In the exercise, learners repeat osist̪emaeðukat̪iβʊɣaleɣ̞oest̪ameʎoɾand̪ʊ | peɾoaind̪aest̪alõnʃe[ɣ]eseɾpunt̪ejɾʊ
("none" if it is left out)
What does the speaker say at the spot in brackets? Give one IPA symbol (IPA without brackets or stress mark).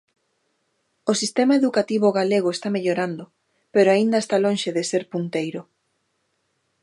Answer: ð